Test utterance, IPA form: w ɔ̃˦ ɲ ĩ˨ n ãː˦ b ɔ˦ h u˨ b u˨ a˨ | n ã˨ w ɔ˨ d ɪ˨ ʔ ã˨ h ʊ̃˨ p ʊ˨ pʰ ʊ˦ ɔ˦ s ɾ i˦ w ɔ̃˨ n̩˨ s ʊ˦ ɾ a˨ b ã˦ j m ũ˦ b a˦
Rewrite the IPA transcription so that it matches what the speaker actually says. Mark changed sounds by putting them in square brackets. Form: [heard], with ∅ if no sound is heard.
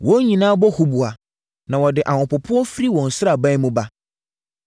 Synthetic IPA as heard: w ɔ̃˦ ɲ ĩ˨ n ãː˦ b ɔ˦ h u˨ b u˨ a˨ | n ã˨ w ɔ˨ d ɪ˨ ʔ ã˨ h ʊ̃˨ p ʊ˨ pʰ ʊ˦ ɔ˦ [f] ɾ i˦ w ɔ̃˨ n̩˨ s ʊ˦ ɾ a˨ b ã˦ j m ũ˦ b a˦